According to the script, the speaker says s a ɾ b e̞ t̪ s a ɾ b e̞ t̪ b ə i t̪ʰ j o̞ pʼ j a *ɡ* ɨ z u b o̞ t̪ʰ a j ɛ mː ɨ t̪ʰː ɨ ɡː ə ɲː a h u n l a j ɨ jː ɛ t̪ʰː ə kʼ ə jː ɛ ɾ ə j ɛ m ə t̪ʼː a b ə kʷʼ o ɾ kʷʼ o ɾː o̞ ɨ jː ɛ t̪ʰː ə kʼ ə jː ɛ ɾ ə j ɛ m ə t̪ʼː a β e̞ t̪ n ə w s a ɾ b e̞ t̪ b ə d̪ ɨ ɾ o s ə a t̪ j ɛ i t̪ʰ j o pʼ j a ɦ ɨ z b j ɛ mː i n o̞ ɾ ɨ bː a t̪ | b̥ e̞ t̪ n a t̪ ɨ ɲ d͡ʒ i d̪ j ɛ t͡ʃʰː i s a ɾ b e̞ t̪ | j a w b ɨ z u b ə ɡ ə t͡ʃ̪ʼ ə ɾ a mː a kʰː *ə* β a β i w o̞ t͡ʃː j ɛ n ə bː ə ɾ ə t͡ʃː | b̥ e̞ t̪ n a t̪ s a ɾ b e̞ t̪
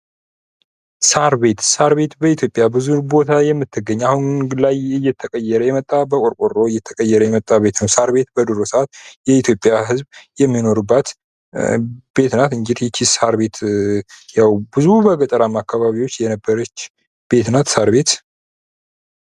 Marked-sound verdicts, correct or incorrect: incorrect: b, incorrect: a

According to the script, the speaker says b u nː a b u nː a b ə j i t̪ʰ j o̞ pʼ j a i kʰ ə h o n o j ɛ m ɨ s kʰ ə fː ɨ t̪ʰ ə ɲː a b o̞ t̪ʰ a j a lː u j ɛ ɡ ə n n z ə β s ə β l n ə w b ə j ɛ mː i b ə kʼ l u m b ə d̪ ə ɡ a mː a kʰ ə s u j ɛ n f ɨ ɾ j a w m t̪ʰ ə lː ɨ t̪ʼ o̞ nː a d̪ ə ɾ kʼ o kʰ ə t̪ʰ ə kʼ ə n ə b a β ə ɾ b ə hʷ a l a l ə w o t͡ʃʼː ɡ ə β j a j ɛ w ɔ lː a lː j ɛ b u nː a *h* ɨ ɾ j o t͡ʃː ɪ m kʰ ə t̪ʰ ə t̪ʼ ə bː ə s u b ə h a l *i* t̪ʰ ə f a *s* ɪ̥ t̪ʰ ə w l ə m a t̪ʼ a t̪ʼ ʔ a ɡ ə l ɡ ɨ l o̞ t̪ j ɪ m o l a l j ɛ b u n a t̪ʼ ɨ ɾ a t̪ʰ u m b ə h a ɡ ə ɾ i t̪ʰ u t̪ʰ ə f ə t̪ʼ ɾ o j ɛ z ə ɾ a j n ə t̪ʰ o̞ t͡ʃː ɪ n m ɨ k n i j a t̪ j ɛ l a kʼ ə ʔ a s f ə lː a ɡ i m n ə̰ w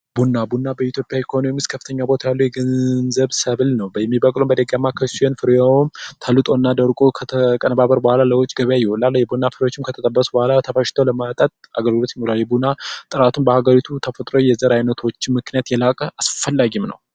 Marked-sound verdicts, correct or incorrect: incorrect: f, incorrect: a, incorrect: ʃ

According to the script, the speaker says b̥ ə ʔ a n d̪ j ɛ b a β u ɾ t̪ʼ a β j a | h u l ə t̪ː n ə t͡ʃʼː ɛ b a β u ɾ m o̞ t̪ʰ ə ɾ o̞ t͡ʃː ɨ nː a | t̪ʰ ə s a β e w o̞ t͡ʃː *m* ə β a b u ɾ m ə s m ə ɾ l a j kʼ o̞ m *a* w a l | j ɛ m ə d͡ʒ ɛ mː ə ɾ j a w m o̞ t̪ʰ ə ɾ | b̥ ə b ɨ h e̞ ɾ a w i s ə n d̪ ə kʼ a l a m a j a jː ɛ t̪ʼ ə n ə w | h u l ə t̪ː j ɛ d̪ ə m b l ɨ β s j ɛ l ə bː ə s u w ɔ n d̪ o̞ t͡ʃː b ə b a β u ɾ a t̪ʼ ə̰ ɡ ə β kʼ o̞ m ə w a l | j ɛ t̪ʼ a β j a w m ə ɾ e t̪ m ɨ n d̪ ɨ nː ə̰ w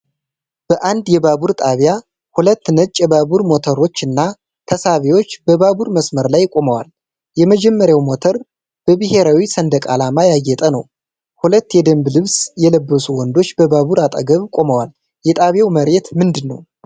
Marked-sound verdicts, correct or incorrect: incorrect: b, incorrect: ə

